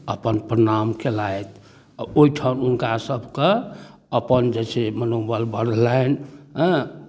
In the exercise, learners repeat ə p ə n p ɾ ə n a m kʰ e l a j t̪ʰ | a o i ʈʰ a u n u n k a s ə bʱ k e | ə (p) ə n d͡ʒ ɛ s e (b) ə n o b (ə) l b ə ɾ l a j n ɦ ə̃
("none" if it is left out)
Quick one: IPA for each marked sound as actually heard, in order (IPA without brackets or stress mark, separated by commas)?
p, m, ə